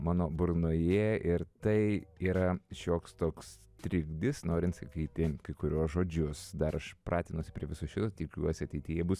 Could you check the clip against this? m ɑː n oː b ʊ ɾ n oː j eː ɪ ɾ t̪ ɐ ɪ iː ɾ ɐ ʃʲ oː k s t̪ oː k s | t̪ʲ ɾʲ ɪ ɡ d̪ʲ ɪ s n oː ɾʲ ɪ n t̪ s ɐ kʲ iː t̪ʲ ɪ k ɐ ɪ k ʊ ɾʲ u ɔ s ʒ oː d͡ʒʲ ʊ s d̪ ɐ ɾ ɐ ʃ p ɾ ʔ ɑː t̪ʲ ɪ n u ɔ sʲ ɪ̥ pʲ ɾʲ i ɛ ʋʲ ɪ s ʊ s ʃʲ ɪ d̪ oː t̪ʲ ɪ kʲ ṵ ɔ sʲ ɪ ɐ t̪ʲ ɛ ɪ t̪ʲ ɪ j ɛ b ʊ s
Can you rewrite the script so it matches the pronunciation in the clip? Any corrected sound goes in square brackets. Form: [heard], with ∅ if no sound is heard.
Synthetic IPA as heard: m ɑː n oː b ʊ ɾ n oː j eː ɪ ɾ t̪ ɐ ɪ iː ɾ ɐ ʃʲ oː k s t̪ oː k s | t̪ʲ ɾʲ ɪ ɡ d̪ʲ ɪ s n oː ɾʲ ɪ n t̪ s ɐ kʲ iː t̪ʲ ɪ k ɐ ɪ k ʊ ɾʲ u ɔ s ʒ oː d͡ʒʲ ʊ s d̪ ɐ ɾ ɐ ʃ p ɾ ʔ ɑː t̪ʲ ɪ n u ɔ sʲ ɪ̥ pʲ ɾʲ i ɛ ʋʲ ɪ s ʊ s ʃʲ ɪ [t̪] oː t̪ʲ ɪ kʲ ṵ ɔ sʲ ɪ ɐ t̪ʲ ɛ ɪ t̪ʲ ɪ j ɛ b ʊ s